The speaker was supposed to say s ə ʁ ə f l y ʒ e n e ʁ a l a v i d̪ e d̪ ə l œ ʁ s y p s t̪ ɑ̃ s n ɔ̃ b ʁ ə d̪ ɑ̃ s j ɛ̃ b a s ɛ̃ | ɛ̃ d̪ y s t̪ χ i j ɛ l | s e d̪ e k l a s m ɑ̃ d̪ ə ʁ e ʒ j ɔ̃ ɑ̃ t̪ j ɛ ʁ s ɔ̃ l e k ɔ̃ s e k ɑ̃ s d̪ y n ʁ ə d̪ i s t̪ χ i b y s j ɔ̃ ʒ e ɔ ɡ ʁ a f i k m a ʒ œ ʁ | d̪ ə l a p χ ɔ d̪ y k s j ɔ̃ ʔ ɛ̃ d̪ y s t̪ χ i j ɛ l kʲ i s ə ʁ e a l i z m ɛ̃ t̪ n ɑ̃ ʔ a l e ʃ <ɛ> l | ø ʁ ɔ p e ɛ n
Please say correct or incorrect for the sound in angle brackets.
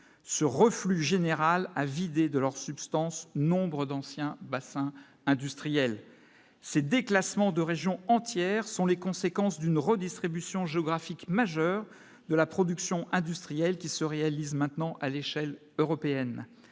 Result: correct